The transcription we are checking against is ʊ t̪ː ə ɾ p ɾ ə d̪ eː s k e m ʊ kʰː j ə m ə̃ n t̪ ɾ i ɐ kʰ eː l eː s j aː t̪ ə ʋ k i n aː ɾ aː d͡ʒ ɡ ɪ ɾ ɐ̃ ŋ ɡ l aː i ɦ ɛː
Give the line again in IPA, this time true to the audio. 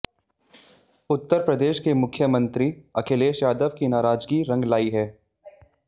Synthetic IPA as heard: ʊ t̪ː ə ɾ p ɾ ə d̪ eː ʃ k e m ʊ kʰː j ə m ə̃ n t̪ ɾ i ɐ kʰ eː l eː ʃ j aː d̪ ə ʋ k i n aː ɾ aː d͡ʒ ɡ i ɾ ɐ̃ ŋ ɡ l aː i ɦ ɛː